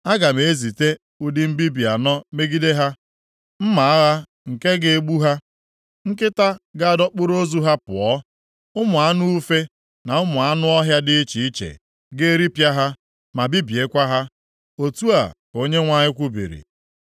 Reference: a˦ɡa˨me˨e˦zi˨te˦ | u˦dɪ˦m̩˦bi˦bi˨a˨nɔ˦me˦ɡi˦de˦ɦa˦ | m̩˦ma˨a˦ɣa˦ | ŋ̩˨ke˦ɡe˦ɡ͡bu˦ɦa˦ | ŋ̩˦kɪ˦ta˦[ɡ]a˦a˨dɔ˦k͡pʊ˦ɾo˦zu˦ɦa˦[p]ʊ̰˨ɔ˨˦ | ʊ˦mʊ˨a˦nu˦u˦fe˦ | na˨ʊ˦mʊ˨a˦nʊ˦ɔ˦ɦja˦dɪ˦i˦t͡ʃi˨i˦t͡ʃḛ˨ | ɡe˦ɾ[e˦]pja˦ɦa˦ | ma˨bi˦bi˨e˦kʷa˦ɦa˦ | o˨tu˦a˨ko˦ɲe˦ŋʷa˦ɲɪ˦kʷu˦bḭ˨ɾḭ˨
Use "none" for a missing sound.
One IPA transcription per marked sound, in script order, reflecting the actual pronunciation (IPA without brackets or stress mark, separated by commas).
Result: ɡ, p, i˦